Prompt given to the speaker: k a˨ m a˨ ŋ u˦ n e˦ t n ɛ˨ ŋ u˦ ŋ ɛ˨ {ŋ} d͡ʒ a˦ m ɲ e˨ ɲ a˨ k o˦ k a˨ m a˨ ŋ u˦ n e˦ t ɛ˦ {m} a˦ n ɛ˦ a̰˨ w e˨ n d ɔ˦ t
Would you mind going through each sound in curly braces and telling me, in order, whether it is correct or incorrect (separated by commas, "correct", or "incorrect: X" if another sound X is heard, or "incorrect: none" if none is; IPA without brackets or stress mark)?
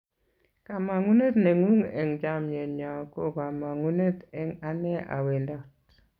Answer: correct, incorrect: ŋ